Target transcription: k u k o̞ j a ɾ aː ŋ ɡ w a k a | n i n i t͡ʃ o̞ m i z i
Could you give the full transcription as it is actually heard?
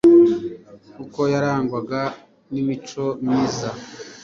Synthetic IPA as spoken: k u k o̞ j a ɾ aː ŋ ɡ w a ɡ a | n i m i t͡ʃ o̞ m i z a